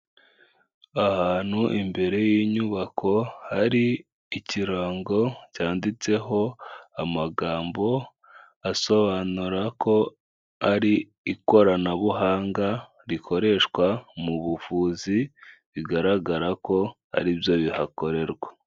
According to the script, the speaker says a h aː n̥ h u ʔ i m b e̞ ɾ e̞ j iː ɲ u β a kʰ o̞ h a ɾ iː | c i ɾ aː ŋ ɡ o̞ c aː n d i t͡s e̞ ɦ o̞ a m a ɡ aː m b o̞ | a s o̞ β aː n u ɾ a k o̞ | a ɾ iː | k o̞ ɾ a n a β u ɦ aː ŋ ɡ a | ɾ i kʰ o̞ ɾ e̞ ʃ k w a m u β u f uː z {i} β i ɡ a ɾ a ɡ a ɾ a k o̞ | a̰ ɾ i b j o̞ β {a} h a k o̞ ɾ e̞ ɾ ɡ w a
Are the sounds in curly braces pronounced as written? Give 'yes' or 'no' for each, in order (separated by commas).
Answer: yes, no